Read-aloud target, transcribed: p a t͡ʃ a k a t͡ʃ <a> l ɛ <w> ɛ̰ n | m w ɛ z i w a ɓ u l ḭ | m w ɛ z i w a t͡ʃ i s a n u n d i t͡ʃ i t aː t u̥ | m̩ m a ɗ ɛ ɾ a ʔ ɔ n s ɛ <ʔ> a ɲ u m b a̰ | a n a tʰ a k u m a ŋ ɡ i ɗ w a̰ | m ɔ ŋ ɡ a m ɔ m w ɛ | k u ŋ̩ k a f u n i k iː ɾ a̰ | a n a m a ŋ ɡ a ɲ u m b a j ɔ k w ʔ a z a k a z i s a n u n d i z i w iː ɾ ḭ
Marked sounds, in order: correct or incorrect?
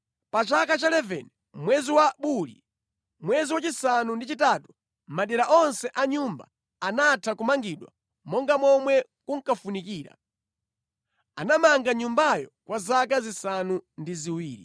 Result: correct, incorrect, correct

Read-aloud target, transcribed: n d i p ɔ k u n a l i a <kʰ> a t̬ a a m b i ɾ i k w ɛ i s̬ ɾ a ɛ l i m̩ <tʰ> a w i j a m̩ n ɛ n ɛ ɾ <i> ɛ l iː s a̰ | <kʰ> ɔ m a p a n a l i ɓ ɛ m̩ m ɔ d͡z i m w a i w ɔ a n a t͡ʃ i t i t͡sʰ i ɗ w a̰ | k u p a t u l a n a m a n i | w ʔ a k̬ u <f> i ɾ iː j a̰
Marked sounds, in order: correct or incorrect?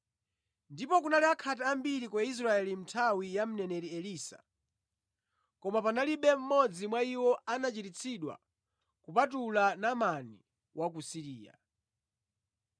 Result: correct, correct, correct, incorrect, incorrect

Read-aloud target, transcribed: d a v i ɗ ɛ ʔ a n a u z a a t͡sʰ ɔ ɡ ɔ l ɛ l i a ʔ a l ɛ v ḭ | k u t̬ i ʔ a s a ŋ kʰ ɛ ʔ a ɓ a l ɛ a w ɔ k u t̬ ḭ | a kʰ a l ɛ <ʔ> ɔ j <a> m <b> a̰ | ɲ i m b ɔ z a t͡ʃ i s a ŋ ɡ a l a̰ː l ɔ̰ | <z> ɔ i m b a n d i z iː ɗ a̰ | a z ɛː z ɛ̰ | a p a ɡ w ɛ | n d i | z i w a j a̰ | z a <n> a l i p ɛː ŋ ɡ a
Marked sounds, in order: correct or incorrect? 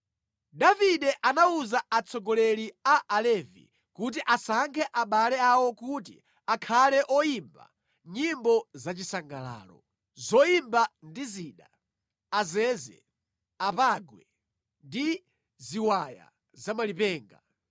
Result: correct, incorrect, correct, correct, incorrect

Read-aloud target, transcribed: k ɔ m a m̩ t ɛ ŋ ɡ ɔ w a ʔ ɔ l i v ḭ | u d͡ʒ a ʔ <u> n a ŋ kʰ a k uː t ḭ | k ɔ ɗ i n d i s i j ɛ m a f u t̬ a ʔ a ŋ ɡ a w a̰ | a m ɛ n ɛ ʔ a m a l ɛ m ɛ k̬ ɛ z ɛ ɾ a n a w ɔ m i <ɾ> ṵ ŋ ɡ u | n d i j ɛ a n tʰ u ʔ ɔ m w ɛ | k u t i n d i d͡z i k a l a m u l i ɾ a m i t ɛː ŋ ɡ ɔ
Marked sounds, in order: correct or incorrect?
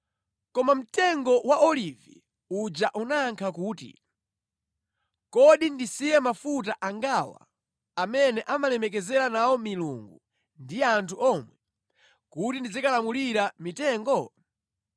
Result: correct, incorrect

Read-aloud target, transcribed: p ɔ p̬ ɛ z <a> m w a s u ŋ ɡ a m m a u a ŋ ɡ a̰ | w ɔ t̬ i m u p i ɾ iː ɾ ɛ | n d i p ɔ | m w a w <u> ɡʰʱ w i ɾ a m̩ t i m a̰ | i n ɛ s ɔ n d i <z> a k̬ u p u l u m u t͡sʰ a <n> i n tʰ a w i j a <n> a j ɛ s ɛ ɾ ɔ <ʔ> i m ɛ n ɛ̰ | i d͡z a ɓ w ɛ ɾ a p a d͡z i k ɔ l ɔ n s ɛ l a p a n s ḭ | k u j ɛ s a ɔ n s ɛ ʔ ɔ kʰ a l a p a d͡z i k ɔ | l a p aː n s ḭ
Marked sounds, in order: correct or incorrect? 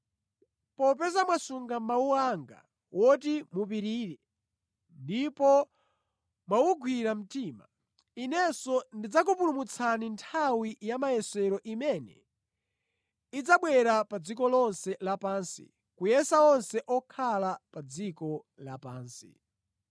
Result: correct, correct, incorrect, correct, incorrect, correct

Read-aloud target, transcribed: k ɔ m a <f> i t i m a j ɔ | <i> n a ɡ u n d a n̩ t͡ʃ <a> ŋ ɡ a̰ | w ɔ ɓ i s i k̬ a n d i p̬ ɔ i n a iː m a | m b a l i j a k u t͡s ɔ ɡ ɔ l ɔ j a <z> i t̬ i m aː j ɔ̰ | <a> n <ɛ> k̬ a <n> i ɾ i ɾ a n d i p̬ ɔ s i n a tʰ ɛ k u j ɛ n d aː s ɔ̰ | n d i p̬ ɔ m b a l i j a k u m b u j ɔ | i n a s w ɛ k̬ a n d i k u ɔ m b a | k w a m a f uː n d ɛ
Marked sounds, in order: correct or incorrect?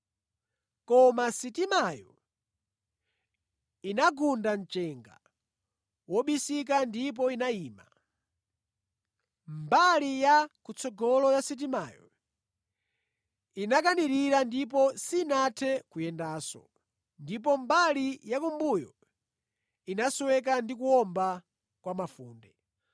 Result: incorrect, correct, incorrect, incorrect, incorrect, incorrect, correct

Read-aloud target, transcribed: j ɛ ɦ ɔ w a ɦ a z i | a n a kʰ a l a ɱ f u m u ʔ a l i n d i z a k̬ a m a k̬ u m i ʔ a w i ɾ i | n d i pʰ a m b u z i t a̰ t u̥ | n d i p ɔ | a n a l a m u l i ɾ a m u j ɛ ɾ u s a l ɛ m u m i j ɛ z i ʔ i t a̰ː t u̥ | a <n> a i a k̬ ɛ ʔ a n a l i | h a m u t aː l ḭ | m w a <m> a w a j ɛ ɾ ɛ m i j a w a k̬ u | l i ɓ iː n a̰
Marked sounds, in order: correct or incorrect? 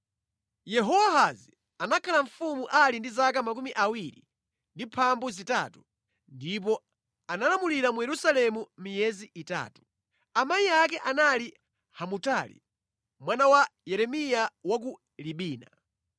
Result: incorrect, incorrect

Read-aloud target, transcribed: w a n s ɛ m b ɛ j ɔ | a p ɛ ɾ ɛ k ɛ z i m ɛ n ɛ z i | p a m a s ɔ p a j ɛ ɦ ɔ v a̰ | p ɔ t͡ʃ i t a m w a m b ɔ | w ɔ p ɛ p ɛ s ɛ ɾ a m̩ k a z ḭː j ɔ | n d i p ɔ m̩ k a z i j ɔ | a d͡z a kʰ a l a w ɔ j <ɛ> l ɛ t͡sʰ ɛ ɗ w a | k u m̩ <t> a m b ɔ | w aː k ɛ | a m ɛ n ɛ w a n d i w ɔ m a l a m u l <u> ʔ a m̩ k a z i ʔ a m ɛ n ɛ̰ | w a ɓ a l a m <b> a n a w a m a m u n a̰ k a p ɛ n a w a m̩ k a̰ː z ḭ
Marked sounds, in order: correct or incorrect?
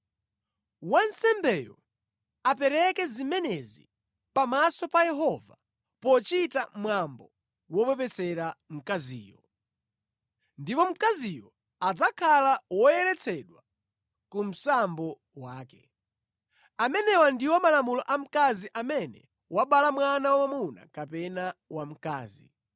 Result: correct, incorrect, incorrect, incorrect

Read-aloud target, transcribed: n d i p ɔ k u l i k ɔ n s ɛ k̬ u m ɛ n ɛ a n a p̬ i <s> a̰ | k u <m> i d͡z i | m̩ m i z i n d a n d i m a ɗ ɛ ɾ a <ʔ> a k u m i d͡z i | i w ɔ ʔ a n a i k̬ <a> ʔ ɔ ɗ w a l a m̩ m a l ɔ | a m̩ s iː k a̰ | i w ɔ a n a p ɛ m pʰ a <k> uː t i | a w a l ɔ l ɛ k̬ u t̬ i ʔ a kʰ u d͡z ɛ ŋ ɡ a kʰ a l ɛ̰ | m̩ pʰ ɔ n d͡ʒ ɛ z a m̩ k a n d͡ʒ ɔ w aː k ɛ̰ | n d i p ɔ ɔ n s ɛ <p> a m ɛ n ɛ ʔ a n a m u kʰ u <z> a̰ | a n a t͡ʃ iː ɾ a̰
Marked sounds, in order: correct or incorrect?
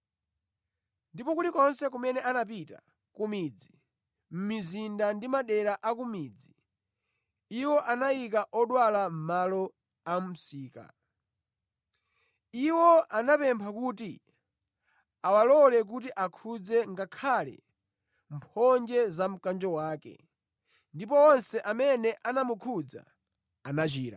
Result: incorrect, correct, correct, correct, correct, incorrect, incorrect

